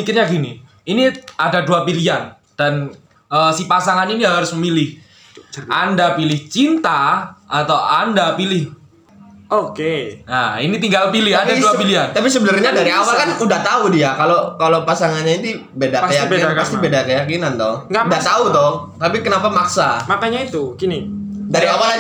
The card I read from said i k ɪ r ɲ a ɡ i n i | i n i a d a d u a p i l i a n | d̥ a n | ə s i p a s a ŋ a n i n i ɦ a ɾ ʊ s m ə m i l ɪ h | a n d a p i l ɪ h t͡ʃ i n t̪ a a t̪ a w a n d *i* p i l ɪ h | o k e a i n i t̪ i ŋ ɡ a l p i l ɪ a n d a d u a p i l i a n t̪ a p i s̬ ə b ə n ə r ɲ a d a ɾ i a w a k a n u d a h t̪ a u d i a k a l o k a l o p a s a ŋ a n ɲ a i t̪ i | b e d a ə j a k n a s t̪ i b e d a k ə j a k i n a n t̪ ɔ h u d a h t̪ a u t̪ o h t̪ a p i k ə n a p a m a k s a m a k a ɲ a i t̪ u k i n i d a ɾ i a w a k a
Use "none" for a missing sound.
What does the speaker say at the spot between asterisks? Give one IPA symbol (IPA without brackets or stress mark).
a